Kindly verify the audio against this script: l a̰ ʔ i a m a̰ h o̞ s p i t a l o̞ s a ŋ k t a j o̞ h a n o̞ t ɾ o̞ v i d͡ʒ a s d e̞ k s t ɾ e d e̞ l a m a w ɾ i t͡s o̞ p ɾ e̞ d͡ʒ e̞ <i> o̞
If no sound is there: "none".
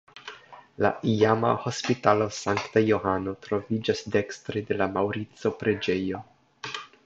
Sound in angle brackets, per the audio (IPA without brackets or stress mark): j